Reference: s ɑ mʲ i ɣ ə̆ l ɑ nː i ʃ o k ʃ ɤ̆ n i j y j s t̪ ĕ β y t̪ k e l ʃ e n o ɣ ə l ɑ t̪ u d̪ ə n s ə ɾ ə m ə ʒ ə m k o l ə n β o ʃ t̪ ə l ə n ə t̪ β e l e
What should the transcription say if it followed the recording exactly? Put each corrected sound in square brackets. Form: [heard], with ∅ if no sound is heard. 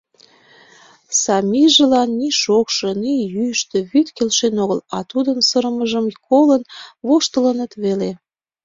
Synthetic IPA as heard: s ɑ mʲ i [ʒ] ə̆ l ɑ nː i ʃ o k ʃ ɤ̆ n i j y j [ʃ] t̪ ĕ β y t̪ k e l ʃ e n o ɣ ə l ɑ t̪ u d̪ ə n s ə ɾ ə m ə ʒ ə m k o l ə n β o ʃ t̪ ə l ə n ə t̪ β e l e

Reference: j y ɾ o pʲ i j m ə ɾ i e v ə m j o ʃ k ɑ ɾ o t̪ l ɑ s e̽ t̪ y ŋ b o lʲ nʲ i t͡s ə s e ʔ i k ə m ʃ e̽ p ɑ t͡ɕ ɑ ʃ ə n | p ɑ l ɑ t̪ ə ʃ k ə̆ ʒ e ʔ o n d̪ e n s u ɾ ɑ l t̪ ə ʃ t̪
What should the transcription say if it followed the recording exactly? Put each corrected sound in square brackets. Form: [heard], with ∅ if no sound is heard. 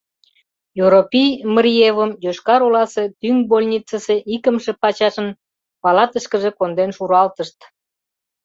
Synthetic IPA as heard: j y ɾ o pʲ i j m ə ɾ i e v ə m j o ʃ k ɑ ɾ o [∅] l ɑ s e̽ t̪ y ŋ b o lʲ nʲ i t͡s ə s e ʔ i k ə m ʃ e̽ p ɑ t͡ɕ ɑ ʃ ə n | p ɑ l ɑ t̪ ə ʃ k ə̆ ʒ e [k] o n d̪ e n [ʃ] u ɾ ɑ l t̪ ə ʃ t̪

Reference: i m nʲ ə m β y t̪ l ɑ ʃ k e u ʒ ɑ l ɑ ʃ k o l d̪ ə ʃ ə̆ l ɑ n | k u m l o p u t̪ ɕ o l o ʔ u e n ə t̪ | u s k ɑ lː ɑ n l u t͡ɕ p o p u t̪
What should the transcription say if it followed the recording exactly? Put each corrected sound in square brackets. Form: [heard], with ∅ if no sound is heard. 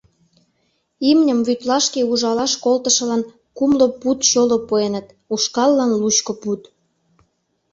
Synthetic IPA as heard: i m nʲ ə m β y t̪ l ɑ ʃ k e u ʒ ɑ l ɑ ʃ k o l [t̪] ə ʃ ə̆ l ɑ n | k u m l o p u t̪ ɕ o l o [p] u e n ə t̪ | u [ʃ] k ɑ lː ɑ n l u t͡ɕ [k] o p u t̪

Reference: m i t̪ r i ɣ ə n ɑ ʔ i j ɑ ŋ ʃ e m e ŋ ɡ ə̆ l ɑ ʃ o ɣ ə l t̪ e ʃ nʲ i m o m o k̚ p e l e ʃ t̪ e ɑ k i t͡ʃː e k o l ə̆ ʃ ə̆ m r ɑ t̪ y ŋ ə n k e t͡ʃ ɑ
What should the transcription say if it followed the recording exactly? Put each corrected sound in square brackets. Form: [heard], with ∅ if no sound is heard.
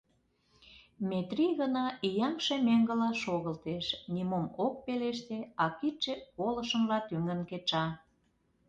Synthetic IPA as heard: m [e] t̪ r i ɣ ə n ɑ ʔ i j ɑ ŋ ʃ e m e ŋ ɡ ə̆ l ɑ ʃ o ɣ ə l t̪ e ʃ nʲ i m o m o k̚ p e l e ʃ t̪ e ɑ k i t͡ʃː e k o l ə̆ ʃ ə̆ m [l] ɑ t̪ y ŋ ə n k e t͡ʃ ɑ

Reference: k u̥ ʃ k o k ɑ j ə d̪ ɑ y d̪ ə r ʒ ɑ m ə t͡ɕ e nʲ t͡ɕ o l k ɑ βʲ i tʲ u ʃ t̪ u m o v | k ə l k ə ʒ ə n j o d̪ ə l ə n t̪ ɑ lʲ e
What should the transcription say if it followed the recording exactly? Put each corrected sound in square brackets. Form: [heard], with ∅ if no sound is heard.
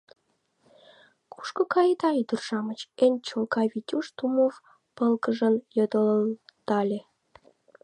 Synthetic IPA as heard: k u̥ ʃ k o k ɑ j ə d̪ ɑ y d̪ ə r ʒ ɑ m ə t͡ɕ e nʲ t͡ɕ o l k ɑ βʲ i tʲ u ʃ t̪ u m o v | [p] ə l k ə ʒ ə n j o d̪ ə l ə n t̪ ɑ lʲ e

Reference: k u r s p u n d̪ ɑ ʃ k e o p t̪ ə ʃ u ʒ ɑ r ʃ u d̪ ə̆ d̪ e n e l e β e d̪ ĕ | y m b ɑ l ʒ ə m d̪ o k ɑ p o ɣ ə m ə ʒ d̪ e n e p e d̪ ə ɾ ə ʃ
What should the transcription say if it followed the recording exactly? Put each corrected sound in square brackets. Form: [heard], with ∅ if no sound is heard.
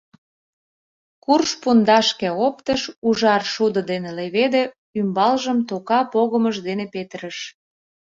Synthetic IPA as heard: k u r [ʃ] p u n d̪ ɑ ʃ k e o p t̪ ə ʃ u ʒ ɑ r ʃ u d̪ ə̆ d̪ e n e l e β e d̪ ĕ | y m b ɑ l ʒ ə m [t̪] o k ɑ p o ɣ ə m ə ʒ d̪ e n e p e [t̪] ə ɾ ə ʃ

